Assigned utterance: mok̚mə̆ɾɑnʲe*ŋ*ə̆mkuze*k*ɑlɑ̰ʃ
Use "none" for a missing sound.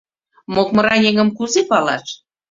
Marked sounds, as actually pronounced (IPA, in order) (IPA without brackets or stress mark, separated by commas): ŋ, p